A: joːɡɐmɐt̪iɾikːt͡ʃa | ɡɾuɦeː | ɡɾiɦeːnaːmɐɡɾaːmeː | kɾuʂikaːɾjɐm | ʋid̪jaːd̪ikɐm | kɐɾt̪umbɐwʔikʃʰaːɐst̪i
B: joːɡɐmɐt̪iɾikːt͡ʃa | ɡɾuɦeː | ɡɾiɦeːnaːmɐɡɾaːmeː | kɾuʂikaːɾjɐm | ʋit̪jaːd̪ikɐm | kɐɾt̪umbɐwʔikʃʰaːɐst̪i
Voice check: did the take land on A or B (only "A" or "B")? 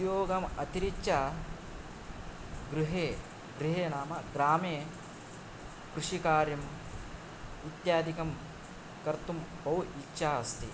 B